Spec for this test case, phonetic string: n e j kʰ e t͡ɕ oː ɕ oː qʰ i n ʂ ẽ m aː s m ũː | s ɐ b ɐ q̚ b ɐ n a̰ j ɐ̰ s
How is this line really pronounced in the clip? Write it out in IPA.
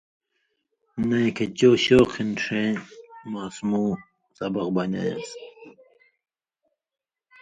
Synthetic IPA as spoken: n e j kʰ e t͡ɕ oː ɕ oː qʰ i n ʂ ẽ m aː s m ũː | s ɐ b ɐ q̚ b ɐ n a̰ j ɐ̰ s